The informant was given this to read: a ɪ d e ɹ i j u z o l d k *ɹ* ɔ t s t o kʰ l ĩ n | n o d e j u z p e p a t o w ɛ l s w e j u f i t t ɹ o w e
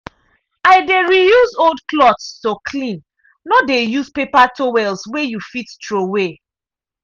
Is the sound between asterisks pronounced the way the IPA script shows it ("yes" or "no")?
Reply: no